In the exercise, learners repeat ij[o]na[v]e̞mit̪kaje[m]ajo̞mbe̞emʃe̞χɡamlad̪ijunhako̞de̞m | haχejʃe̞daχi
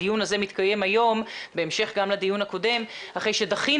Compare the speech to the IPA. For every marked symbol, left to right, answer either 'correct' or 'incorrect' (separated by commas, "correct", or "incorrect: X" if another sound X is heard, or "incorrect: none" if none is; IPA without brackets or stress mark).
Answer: incorrect: u, incorrect: z, correct